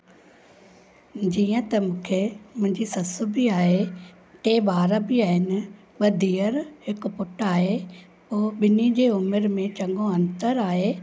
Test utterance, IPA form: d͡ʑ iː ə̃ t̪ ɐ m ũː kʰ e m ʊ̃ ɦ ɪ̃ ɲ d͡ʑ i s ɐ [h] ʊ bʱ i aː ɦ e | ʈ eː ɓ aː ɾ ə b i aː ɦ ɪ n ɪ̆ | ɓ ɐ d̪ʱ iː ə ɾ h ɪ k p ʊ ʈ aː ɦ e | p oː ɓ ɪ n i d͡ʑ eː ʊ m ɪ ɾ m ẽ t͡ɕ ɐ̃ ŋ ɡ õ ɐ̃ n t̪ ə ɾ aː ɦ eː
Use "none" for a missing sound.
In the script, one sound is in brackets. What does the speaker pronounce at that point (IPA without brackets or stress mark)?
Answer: s